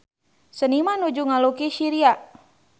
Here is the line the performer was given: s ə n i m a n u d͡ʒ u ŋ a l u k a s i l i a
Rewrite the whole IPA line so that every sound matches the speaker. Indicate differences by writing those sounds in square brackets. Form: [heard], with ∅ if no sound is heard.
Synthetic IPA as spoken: s ə n i m a n u d͡ʒ u ŋ a l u k [i] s i [ɾ] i a